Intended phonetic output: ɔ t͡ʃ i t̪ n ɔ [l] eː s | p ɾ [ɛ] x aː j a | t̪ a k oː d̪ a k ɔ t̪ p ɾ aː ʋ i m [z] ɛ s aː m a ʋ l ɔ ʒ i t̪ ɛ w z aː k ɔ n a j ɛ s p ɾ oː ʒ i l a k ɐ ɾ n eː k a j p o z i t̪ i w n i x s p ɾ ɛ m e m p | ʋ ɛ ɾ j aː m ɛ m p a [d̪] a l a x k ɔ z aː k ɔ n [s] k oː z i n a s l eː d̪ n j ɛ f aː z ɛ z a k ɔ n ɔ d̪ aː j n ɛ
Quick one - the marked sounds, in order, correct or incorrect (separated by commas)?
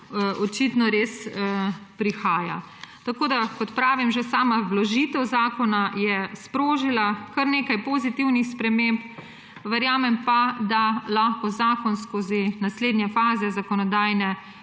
incorrect, incorrect, incorrect, correct, correct